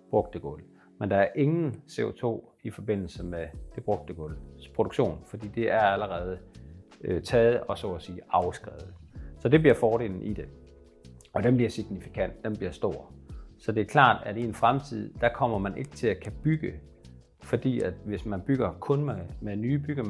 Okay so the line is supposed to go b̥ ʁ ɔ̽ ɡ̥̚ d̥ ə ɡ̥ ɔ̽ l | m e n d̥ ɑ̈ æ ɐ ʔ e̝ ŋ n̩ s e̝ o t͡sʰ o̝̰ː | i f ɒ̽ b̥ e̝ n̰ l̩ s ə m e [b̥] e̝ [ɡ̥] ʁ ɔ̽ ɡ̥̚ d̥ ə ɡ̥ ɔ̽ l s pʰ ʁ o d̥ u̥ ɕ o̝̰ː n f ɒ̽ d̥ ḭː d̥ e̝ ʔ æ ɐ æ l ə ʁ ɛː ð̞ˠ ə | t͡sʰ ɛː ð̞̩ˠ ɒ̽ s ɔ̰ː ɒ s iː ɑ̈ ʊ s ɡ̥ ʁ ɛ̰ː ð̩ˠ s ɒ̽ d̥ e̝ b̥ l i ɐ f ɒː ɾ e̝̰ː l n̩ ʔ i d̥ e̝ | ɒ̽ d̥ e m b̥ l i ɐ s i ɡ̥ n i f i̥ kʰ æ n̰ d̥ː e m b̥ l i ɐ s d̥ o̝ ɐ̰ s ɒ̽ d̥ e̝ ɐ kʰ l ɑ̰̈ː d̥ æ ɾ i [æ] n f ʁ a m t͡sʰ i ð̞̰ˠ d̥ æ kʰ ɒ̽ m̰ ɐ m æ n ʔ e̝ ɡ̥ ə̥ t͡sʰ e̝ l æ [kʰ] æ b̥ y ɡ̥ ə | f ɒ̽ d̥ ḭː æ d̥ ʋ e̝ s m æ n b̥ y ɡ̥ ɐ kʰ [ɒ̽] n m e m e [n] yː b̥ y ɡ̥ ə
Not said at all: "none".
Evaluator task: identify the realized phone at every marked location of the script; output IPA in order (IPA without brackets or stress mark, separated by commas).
d̥, b̥, e, kʰ, ɔ̽, n